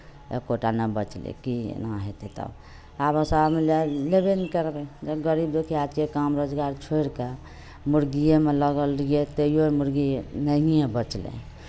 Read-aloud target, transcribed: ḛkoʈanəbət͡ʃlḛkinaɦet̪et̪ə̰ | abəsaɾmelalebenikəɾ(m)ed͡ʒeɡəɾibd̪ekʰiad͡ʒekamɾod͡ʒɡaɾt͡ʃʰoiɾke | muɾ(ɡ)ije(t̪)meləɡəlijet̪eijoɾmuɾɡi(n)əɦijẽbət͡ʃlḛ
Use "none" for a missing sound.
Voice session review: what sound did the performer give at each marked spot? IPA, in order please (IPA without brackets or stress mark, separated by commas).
b, ɡ, none, n